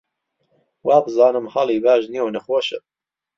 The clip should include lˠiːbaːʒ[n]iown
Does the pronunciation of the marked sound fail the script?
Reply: no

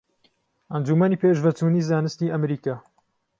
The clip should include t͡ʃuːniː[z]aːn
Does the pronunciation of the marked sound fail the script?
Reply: no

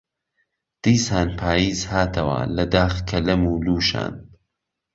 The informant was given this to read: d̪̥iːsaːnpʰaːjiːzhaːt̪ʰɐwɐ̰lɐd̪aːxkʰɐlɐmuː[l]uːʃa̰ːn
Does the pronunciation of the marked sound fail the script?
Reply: no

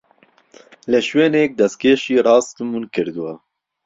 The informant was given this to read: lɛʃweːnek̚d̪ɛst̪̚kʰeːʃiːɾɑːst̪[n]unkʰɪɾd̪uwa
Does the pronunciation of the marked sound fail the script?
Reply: yes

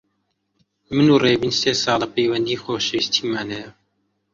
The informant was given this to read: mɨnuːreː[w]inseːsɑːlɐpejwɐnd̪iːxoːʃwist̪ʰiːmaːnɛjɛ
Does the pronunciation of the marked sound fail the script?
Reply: yes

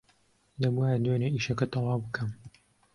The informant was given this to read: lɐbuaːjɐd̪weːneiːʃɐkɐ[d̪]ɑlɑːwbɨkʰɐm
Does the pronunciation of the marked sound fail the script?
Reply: yes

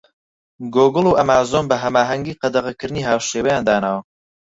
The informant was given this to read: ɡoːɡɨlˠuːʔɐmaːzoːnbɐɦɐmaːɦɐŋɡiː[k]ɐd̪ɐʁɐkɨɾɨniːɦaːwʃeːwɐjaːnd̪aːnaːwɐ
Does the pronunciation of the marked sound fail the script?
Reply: yes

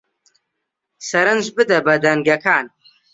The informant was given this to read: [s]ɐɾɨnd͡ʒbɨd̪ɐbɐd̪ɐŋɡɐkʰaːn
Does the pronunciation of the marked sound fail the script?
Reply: no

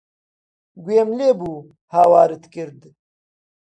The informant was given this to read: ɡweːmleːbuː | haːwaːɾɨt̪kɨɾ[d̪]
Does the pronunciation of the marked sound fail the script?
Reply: no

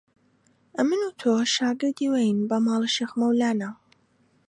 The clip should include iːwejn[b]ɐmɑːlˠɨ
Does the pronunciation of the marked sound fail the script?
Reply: no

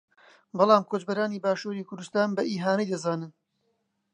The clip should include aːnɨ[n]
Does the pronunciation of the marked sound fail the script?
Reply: no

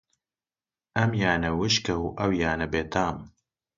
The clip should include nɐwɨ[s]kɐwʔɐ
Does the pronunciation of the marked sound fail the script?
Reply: yes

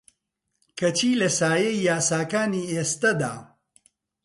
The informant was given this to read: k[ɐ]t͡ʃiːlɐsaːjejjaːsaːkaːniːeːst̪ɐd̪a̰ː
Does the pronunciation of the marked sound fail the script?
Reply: no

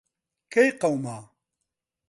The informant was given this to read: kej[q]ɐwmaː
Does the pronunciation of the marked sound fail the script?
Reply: no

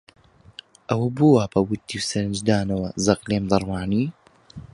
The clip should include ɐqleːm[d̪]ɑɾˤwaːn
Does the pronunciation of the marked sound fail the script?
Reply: no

